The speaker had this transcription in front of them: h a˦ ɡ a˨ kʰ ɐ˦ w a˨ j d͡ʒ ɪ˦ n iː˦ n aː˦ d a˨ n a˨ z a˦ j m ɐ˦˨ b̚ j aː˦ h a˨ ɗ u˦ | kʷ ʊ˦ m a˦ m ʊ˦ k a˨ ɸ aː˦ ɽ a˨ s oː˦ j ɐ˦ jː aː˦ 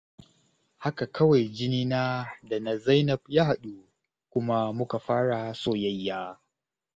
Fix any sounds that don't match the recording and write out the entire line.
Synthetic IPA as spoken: h a˦ k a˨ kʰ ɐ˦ w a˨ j d͡ʒ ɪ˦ n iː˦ n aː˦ d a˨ n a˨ z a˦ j n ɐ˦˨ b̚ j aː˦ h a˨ ɗ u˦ | kʷ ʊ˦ m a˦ m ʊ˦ k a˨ ɸ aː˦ ɽ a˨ s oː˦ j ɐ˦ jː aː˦